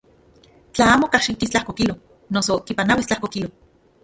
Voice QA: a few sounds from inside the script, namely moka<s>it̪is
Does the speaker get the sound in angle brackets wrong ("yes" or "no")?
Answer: yes